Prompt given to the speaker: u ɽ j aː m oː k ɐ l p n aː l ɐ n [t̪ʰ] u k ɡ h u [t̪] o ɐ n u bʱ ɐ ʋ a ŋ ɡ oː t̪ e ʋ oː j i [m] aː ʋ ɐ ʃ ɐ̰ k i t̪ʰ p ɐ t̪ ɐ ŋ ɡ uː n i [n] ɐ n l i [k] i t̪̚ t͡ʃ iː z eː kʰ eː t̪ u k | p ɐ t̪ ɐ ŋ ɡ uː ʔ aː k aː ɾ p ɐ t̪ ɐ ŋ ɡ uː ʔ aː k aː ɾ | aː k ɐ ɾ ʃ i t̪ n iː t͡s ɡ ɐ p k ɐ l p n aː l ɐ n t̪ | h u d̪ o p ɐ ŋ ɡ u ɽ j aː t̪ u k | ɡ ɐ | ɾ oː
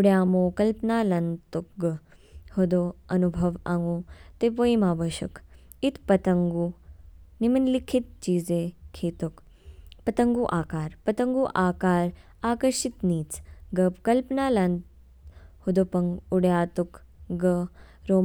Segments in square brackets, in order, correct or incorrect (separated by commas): incorrect, incorrect, correct, incorrect, incorrect